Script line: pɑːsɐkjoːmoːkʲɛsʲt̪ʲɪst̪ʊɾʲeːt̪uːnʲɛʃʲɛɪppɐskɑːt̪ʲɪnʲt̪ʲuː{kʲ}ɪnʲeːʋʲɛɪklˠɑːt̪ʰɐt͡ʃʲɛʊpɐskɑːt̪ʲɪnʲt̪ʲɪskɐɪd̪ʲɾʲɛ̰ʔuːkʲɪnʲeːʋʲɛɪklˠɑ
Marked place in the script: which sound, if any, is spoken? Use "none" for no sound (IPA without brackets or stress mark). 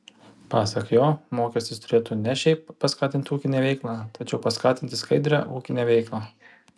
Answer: kʲ